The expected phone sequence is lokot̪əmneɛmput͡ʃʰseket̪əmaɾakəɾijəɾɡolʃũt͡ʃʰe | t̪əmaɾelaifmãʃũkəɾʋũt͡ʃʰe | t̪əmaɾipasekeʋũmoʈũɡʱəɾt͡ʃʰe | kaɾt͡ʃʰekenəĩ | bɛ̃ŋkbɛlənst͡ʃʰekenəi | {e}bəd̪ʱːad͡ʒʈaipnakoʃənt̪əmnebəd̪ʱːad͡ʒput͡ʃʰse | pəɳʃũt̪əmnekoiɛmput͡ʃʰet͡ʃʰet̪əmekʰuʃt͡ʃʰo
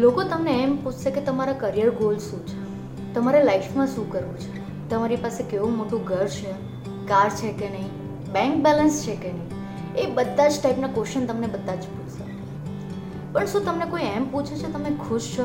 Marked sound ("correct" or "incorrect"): correct